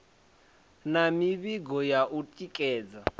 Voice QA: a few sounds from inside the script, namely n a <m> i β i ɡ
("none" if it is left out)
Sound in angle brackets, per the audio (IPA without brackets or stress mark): m